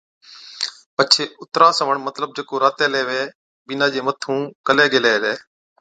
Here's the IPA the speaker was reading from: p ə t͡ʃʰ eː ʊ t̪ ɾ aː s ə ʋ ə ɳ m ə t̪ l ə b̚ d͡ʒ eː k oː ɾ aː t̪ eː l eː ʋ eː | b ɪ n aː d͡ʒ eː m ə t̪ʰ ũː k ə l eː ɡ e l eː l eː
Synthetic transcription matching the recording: p ə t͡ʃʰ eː ʊ t̪ ɾ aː s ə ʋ ə ɳ m ə t̪ l ə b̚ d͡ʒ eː k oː ɾ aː t̪ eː l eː ʋ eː | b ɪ n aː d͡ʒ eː m ə t̪ʰ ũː k ə l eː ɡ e l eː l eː